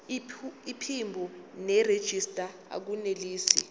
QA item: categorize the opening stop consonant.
aspirated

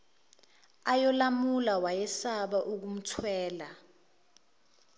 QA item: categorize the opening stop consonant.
implosive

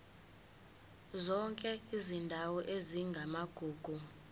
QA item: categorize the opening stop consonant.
ejective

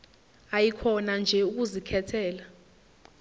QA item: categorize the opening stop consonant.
aspirated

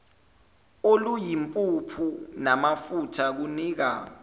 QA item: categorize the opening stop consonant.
ejective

